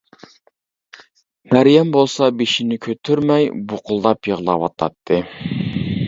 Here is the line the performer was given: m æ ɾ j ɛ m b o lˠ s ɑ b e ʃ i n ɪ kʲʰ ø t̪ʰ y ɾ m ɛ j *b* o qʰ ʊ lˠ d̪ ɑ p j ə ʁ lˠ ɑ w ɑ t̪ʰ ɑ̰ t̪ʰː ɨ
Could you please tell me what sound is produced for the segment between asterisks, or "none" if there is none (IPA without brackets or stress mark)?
b